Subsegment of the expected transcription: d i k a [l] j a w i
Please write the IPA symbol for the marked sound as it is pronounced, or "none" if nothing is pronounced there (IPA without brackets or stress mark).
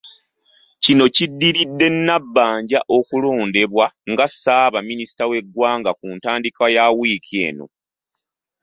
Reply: none